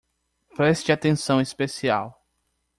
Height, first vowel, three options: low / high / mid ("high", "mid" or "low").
mid